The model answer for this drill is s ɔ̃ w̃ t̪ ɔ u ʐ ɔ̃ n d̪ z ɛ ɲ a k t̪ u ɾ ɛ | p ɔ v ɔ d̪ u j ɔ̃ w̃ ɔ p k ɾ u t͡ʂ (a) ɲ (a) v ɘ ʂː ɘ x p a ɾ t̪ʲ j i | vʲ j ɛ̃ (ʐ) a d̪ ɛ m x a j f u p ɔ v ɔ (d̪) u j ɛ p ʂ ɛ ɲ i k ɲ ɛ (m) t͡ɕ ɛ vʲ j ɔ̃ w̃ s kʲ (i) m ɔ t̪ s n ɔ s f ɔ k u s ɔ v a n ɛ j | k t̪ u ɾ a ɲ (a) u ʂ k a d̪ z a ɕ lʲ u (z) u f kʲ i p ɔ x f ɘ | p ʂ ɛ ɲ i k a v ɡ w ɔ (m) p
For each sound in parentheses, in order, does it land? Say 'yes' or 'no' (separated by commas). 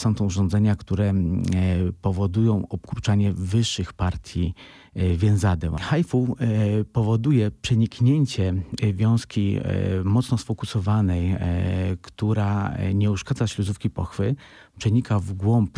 yes, no, no, yes, no, yes, no, yes, yes